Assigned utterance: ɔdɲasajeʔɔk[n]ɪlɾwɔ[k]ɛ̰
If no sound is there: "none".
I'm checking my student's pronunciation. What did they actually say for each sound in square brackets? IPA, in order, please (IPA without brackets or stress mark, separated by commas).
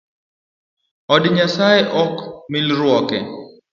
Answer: m, k